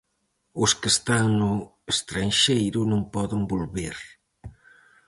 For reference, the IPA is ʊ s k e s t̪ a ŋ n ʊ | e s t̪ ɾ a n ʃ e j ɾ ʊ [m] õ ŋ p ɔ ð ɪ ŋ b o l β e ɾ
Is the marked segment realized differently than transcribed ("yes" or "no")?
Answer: yes